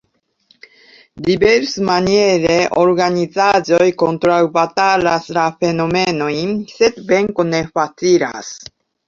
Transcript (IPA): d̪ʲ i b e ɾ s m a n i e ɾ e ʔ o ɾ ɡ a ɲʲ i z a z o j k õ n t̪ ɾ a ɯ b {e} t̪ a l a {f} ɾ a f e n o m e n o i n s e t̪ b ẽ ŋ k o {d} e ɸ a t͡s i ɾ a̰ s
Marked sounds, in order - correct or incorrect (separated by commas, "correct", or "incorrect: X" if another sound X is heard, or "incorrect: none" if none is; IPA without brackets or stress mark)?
incorrect: a, incorrect: s, incorrect: n